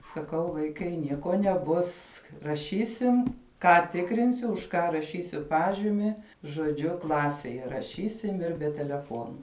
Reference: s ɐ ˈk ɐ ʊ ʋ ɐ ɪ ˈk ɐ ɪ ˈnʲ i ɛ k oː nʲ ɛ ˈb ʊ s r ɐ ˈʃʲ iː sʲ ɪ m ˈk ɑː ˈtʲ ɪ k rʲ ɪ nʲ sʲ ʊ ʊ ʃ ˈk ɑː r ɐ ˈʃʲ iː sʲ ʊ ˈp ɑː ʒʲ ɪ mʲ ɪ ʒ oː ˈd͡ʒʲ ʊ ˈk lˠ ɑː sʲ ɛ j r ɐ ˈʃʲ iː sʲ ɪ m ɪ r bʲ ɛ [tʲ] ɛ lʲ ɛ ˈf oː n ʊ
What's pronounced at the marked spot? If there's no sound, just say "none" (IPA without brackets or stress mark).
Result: tʲ